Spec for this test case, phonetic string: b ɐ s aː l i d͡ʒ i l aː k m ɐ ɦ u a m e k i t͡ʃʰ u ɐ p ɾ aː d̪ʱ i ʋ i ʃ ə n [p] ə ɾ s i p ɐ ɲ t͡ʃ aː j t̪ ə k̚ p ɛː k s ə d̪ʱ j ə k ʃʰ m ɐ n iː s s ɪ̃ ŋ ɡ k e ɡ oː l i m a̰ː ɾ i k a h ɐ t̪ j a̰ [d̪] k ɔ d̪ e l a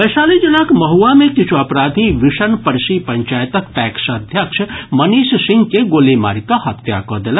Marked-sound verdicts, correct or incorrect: correct, incorrect: none

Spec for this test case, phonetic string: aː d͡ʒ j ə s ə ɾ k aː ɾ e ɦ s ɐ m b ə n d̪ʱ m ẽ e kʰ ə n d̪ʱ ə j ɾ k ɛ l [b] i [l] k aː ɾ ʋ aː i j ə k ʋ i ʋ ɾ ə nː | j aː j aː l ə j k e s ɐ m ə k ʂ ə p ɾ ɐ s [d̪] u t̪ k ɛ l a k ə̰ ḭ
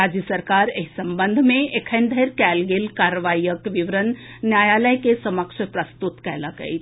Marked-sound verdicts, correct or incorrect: incorrect: ɡ, correct, incorrect: t̪

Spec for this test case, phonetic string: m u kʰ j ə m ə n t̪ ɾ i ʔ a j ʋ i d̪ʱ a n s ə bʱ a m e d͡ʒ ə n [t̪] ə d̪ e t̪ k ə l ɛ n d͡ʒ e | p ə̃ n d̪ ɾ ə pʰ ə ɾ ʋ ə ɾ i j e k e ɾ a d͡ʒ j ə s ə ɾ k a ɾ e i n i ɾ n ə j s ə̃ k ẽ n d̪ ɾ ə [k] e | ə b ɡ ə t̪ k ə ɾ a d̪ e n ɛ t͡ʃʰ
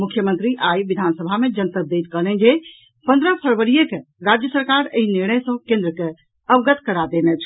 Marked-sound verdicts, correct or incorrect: correct, correct

